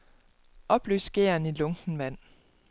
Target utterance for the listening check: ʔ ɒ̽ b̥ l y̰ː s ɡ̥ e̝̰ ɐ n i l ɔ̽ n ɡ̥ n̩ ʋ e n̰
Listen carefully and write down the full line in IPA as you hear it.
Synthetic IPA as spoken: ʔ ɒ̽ b̥ l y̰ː s ɡ̥ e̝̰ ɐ n i l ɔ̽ ŋ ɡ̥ n̩ ʋ æ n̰